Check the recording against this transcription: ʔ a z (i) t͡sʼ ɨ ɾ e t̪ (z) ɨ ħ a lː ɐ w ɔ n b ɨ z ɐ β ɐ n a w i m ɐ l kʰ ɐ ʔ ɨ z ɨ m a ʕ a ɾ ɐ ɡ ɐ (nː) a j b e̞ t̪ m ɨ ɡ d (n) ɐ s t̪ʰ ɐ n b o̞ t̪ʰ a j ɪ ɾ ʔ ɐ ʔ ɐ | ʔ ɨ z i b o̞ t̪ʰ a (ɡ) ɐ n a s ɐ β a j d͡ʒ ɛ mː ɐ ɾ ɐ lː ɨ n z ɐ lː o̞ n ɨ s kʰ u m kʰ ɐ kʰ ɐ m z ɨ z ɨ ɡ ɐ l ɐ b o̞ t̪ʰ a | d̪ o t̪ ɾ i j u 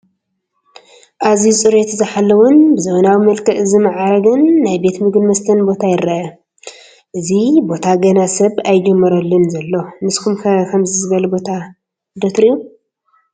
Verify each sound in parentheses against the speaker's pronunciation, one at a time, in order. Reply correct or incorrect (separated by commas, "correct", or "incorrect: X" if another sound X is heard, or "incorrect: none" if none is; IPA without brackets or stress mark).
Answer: correct, correct, correct, incorrect: m, correct